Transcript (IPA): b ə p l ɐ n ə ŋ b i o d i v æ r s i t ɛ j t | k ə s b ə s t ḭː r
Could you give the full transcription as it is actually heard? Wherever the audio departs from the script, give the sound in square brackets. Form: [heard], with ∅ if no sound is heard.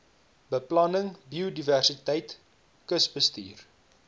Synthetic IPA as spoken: b ə p l ɐ n ə ŋ b i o d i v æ r s i t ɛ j t | k ə s b ə s t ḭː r